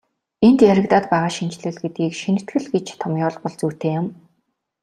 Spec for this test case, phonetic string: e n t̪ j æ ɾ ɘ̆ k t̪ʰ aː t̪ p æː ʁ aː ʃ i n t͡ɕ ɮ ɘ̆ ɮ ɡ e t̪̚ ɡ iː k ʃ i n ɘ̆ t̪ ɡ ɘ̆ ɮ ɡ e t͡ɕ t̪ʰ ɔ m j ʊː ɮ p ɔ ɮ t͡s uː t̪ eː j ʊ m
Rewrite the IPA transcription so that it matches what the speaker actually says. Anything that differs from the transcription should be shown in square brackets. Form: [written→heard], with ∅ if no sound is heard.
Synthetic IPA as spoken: e n t̪ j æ ɾ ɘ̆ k [t̪ʰ→t̪] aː t̪ p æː ʁ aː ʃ i n t͡ɕ ɮ ɘ̆ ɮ ɡ e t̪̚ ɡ iː k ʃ i n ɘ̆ t̪ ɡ ɘ̆ ɮ ɡ e t͡ɕ t̪ʰ ɔ m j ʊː ɮ p ɔ ɮ t͡s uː t̪ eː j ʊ m